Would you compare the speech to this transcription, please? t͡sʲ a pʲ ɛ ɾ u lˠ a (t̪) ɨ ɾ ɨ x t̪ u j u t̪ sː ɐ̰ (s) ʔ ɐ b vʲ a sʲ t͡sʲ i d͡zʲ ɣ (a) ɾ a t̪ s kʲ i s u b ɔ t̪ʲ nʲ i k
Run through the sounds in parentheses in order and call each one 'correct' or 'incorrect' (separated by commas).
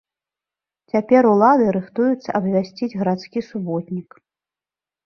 incorrect, incorrect, incorrect